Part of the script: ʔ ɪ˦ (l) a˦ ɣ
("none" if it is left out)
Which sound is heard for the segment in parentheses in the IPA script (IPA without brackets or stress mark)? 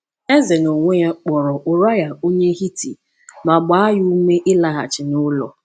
l